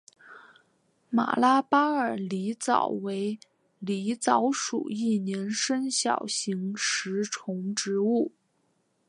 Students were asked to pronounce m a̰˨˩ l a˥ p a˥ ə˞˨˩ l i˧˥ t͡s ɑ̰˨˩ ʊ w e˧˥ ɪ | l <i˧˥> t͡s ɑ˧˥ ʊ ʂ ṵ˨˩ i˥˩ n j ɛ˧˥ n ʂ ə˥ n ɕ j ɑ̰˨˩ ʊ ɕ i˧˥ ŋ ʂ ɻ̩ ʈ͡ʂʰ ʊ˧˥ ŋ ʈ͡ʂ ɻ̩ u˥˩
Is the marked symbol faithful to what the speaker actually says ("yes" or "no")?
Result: yes